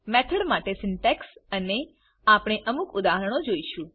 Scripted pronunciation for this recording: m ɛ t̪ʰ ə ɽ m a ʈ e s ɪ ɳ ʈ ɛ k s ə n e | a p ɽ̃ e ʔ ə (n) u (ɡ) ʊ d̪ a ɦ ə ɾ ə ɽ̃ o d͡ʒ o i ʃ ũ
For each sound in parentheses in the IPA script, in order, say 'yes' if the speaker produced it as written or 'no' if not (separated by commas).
no, no